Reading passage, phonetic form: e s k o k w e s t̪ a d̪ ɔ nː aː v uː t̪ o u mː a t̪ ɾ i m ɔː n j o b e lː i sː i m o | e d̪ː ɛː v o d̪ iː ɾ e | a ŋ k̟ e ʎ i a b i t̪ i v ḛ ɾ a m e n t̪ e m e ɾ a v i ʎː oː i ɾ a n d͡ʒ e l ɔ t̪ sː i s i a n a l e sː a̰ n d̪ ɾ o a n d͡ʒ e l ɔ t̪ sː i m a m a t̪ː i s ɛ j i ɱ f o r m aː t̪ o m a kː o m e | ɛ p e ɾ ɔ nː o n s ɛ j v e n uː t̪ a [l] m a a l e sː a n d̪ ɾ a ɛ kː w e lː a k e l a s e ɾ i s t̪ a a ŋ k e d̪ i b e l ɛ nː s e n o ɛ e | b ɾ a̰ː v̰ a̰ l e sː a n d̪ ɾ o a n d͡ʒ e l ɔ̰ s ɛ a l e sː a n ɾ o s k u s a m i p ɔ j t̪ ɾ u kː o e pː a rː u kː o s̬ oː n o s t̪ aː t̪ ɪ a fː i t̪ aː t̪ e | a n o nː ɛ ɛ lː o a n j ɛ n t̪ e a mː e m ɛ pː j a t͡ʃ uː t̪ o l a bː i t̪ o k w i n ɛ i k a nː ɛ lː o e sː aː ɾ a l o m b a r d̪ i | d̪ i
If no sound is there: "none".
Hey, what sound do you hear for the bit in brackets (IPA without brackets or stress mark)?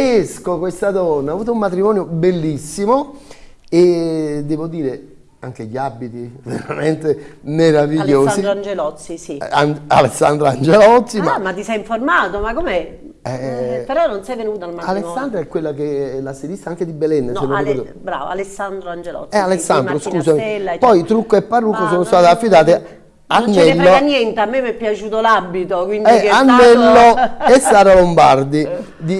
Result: l